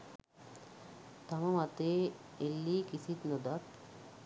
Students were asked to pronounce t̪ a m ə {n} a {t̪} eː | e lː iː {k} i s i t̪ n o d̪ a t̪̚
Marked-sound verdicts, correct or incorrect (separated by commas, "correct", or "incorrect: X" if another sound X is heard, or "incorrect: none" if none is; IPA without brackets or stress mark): incorrect: m, correct, correct